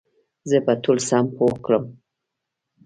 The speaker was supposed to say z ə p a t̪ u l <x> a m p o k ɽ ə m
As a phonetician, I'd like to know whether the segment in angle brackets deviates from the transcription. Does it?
yes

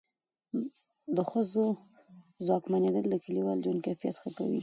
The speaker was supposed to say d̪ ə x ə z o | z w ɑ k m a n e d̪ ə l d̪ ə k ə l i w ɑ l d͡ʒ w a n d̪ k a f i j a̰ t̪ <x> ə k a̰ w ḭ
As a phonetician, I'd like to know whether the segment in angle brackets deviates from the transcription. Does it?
no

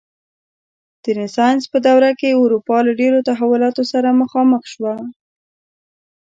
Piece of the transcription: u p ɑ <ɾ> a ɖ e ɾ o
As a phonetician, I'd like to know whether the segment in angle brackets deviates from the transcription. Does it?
yes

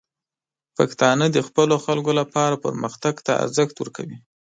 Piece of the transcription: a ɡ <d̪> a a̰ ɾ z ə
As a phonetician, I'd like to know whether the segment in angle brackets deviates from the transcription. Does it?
yes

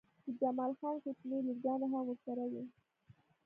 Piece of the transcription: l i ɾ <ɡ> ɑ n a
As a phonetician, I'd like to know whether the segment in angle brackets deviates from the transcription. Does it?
no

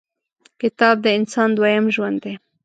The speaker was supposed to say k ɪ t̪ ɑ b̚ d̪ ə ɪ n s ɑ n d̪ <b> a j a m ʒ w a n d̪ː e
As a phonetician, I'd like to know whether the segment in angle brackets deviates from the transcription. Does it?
yes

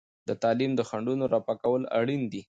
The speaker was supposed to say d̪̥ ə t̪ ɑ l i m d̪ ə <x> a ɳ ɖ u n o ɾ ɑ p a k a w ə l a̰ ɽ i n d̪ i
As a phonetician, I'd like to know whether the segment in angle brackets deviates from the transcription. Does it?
no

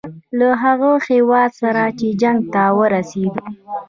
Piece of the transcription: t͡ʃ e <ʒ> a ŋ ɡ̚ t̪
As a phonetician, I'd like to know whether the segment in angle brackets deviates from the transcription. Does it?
yes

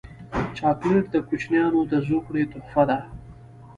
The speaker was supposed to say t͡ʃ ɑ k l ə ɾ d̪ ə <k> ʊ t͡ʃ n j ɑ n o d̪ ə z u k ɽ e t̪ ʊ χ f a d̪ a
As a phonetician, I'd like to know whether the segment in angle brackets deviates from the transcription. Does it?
no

